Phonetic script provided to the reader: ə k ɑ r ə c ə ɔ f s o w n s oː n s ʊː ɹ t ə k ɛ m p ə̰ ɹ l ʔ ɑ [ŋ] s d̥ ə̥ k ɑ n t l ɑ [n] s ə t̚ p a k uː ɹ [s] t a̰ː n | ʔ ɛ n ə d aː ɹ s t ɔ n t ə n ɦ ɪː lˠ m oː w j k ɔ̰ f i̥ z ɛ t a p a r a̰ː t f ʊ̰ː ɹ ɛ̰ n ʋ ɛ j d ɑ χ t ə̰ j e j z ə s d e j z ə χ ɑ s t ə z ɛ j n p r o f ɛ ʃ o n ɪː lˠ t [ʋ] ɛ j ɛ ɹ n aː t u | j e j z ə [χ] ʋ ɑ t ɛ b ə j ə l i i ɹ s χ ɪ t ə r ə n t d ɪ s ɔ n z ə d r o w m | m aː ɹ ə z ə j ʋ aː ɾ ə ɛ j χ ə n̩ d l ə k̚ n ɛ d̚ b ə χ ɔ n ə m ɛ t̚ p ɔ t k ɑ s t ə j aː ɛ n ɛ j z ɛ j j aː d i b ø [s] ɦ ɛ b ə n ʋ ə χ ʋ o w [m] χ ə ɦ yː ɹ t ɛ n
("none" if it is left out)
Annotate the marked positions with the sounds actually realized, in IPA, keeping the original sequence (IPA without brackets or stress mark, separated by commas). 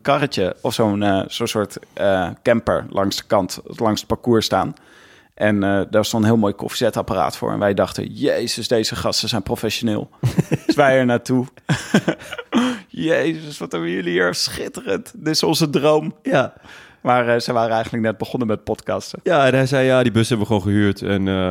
ŋ, ŋ, s, ʋ, s, s, n